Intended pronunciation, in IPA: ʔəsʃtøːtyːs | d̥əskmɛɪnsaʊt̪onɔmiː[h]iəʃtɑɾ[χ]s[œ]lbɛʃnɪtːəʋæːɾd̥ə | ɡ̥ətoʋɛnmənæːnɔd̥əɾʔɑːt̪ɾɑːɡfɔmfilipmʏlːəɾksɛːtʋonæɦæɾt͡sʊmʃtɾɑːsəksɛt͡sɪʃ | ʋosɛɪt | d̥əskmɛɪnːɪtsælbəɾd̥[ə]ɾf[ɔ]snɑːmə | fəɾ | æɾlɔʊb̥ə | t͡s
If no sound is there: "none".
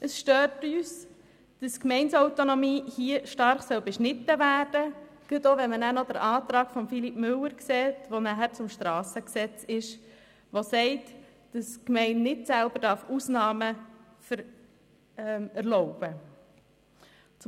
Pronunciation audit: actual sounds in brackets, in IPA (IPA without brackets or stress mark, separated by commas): h, χ, œ, ɑ, u